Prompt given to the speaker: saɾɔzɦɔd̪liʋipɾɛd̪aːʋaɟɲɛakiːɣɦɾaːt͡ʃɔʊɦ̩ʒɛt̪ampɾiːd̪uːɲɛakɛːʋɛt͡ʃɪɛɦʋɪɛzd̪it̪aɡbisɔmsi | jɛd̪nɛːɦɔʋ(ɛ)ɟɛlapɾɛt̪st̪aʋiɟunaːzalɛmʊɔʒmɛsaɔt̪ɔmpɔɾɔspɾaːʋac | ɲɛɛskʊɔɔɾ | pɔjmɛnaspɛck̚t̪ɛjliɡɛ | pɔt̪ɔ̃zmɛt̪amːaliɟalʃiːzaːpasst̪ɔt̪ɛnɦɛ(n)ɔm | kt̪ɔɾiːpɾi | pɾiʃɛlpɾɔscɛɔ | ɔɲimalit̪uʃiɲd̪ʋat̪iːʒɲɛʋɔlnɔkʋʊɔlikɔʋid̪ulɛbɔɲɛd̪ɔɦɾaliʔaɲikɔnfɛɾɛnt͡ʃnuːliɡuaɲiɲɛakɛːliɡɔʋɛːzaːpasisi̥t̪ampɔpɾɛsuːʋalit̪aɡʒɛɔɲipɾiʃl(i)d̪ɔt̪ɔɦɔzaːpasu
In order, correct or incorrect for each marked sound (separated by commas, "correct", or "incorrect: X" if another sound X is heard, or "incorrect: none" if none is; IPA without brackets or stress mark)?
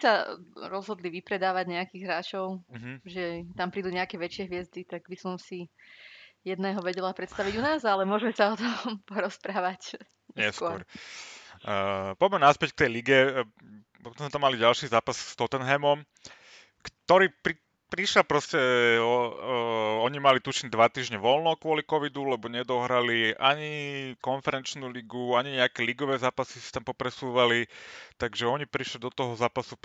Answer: correct, incorrect: m, correct